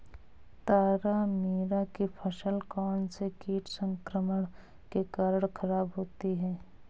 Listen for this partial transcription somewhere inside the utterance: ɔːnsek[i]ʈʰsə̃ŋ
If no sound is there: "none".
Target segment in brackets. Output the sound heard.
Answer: iː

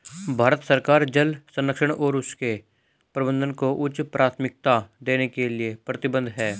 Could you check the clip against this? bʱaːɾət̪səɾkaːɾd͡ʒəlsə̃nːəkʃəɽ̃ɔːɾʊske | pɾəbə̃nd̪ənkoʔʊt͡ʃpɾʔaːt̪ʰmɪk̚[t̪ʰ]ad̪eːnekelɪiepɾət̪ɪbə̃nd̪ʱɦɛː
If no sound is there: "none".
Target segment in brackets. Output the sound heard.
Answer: t̪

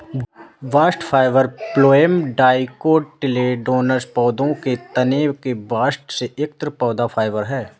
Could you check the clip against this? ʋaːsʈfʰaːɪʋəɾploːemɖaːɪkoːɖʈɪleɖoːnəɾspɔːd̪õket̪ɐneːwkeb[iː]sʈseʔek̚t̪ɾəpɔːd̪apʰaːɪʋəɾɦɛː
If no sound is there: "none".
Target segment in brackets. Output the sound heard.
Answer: aː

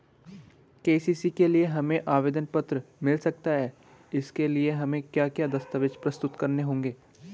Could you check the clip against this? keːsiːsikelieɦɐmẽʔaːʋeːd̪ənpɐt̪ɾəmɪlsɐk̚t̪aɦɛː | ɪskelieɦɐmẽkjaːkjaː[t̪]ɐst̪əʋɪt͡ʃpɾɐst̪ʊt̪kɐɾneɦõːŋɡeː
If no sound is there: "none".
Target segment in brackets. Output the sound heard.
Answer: d̪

